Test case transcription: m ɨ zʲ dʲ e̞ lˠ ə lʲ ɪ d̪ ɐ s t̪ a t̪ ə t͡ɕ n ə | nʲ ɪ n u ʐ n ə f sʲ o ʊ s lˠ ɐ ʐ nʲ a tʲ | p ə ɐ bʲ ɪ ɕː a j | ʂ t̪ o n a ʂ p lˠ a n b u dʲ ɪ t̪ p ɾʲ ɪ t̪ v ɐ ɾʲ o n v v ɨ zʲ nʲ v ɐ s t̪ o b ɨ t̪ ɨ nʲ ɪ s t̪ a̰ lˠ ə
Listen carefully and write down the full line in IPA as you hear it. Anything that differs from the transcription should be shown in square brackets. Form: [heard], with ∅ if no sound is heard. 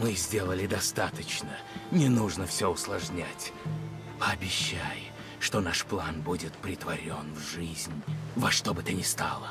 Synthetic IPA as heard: m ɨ zʲ dʲ e̞ lˠ ə lʲ ɪ d̪ ɐ s t̪ a t̪ ə t͡ɕ n ə | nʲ ɪ n u ʐ n ə f sʲ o ʊ s lˠ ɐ ʐ nʲ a tʲ | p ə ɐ bʲ ɪ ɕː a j | ʂ t̪ o n a ʂ p lˠ a n b u dʲ ɪ t̪ p ɾʲ ɪ t̪ v ɐ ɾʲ o n v [ʐ] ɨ zʲ nʲ v ɐ [ʂ] t̪ o b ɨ t̪ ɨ nʲ ɪ s t̪ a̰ lˠ ə